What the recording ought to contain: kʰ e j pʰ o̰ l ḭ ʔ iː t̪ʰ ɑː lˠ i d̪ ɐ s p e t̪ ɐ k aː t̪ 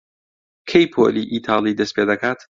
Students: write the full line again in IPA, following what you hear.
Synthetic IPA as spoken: kʰ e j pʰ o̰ l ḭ ʔ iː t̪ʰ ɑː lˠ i d̪ ɐ s p e d̪ ɐ k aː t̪